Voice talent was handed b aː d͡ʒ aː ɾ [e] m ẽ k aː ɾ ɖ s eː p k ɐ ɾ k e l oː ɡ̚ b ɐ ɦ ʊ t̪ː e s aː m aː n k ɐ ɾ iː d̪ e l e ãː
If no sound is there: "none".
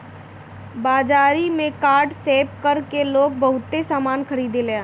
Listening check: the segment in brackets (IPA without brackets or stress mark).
i